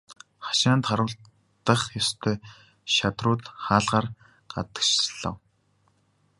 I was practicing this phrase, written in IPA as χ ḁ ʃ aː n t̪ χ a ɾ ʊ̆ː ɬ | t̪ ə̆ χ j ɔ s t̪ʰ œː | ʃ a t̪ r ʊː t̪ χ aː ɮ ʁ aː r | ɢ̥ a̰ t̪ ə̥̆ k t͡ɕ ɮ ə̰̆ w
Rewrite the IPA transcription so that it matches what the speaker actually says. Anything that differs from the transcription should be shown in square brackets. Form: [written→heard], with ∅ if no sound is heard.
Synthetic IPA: χ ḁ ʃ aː n t̪ χ a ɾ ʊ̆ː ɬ | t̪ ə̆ χ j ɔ s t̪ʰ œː | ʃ a t̪ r ʊː t̪ χ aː ɮ ʁ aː r | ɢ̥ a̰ t̪ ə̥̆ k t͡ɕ ɮ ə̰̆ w